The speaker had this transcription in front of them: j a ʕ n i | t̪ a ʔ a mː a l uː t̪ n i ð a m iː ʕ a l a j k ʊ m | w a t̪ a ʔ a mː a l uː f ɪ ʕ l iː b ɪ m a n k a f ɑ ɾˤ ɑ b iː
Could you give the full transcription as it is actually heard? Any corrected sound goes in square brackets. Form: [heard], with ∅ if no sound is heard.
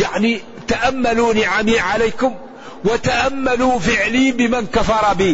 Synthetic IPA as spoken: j a ʕ n i | t̪ a ʔ a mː a l uː [∅] n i [ʕ] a m iː ʕ a l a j k ʊ m | w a t̪ a ʔ a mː a l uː f ɪ ʕ l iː b ɪ m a n k a f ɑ ɾˤ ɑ b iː